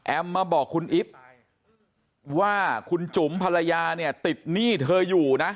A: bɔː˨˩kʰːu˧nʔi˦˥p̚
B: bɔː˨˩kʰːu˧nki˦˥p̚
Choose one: A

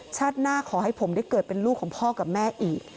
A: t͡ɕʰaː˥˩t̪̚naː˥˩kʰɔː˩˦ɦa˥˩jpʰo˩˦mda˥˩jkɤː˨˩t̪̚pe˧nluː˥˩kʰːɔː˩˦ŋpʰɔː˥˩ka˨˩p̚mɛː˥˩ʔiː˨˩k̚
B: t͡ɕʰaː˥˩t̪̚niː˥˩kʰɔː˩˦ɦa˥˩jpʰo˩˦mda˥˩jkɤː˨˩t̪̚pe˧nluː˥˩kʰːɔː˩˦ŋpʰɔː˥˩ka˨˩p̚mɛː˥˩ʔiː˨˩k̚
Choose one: A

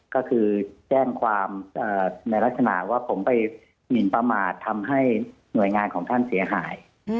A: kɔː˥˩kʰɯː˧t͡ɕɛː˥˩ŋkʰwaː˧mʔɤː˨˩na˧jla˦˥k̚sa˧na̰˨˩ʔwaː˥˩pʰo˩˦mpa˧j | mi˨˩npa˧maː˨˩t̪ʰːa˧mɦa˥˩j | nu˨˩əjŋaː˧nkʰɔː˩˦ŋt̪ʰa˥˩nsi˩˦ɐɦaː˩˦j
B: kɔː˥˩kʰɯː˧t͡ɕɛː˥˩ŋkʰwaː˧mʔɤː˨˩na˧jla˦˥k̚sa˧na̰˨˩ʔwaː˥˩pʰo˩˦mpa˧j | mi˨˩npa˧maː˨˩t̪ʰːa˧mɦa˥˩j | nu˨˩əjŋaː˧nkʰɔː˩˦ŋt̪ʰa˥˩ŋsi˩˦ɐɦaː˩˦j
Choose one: A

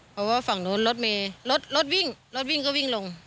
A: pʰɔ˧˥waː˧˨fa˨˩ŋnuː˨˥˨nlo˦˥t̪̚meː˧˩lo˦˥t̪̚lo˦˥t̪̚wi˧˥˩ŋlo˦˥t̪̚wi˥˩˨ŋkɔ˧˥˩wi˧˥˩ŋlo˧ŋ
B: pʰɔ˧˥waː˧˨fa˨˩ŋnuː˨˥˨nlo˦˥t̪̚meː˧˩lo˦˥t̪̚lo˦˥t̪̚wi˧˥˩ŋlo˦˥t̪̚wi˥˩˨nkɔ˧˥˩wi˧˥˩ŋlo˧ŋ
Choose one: A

